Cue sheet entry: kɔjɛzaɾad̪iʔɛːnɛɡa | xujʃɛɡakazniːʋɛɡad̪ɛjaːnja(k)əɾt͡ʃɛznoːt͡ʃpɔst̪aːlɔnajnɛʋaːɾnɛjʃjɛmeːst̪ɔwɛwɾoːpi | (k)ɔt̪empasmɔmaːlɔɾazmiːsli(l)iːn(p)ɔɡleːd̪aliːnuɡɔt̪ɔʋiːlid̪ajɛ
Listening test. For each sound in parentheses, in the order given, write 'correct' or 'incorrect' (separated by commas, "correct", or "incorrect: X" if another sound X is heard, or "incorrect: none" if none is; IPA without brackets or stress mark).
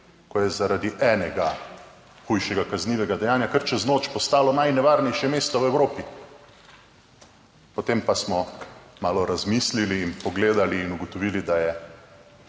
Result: correct, incorrect: p, correct, correct